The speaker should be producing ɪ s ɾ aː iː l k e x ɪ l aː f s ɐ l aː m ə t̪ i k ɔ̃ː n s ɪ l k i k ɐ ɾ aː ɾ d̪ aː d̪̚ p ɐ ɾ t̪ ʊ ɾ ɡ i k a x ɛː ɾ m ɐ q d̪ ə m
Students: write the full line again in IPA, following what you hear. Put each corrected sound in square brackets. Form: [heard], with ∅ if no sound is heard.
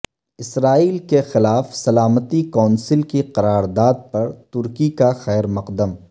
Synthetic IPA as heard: ɪ s ɾ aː iː l k e x ɪ l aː f s ɐ l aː m ə t̪ i k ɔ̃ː n s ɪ l k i [q] ɐ ɾ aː ɾ d̪ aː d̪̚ p ɐ ɾ t̪ ʊ ɾ [k] i k a x ɛː ɾ m ɐ q d̪ ə m